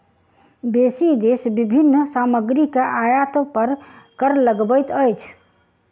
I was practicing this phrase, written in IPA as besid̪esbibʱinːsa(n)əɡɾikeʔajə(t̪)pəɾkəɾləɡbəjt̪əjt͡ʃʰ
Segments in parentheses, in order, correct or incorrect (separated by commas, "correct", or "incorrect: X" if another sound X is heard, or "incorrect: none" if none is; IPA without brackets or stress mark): incorrect: m, correct